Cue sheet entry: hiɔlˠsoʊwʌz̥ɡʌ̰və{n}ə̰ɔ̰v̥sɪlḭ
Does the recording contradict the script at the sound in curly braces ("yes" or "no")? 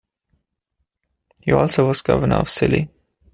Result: no